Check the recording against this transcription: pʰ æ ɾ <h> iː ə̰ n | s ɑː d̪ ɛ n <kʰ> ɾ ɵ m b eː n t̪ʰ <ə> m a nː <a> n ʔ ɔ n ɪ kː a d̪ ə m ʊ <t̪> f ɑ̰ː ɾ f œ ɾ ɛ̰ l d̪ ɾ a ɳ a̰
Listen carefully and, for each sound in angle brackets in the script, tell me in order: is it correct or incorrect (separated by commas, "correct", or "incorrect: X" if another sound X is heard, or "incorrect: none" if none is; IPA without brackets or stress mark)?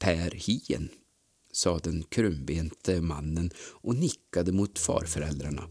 correct, correct, correct, incorrect: ə, correct